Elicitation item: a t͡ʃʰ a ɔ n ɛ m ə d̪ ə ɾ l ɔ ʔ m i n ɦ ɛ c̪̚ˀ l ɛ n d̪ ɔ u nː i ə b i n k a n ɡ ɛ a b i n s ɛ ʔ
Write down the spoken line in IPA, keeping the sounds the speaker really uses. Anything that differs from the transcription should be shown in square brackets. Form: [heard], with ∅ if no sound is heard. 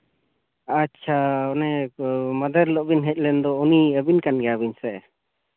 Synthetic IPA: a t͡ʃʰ a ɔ n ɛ m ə d̪ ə ɾ l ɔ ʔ [b] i n ɦ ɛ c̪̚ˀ l ɛ n d̪ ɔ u [n] i ə b i n k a n ɡ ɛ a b i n s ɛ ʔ